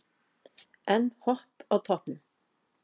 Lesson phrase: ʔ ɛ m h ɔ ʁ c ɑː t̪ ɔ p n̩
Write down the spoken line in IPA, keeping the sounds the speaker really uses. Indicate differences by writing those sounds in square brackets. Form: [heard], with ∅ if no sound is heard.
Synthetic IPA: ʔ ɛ [n] h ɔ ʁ [p] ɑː [t̪ʰ] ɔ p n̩